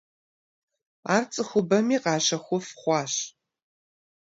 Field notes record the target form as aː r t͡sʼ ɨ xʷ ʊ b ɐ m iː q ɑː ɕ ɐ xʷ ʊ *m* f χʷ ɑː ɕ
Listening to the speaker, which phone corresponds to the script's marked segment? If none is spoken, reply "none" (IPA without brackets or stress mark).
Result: none